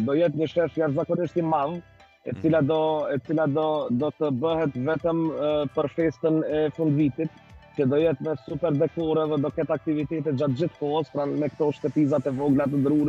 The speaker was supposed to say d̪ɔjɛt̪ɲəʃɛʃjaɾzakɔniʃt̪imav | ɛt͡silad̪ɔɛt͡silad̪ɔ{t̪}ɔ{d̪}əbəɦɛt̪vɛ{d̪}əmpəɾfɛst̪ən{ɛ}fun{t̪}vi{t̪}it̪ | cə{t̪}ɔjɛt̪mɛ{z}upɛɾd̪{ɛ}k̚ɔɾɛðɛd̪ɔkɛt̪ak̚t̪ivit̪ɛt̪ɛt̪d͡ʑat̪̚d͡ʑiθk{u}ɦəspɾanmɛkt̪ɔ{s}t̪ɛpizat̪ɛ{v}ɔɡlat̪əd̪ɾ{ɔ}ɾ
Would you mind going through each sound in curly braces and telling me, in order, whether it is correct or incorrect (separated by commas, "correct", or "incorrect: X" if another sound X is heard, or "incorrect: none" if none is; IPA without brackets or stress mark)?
incorrect: d̪, incorrect: t̪, incorrect: t̪, correct, incorrect: d̪, correct, incorrect: d̪, incorrect: s, correct, incorrect: ɔ, incorrect: ʃ, correct, incorrect: u